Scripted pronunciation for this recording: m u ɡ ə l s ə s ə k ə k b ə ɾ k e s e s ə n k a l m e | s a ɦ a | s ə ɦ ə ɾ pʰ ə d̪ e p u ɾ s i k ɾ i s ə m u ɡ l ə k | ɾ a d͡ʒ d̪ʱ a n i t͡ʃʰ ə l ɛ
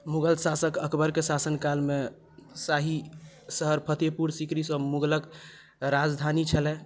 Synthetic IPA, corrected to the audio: m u ɡ ə l s a s ə k ə k b ə ɾ k e s a s ə n k a l m e | s a ɦ i | s ə ɦ ə ɾ pʰ ə t̪ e p u ɾ s i k ɾ i s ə m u ɡ l ə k | ɾ a d͡ʒ d̪ʱ a n i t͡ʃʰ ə l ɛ